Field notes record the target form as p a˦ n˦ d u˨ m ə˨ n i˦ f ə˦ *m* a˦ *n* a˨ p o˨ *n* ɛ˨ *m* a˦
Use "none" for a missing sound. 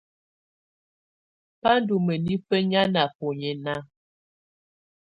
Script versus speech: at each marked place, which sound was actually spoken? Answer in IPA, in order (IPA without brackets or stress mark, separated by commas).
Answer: ɲ, n, ɲ, n